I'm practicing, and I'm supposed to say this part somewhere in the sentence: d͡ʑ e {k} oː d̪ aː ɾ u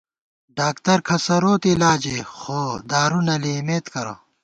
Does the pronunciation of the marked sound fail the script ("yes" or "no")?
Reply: yes